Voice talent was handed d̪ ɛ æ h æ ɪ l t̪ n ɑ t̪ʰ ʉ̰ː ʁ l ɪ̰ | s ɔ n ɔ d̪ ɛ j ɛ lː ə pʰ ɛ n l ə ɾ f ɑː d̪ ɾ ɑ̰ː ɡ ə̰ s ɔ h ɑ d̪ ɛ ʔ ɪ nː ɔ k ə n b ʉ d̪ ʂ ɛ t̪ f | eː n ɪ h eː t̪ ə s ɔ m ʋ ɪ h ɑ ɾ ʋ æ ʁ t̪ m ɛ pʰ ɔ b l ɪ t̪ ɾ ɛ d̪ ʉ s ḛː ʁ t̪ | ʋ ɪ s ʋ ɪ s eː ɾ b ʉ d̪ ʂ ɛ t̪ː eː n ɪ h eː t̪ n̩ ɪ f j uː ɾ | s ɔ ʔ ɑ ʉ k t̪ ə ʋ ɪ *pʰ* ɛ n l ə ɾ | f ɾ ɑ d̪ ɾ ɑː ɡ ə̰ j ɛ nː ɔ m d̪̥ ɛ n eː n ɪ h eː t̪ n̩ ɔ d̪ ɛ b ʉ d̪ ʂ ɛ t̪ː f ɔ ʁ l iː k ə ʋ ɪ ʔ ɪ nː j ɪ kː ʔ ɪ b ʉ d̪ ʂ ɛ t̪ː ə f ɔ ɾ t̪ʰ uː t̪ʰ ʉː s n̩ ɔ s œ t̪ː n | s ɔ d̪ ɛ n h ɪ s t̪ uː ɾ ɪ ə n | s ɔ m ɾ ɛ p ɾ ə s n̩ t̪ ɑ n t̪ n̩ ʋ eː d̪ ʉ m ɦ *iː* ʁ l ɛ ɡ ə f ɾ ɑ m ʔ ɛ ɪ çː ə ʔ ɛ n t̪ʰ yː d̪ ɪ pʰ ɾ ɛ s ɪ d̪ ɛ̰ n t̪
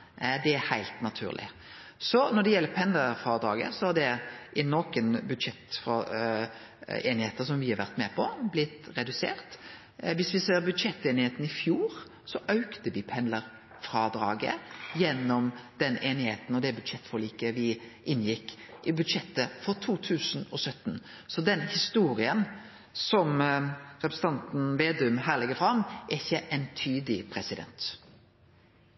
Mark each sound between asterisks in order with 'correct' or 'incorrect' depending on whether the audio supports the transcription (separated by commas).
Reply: correct, incorrect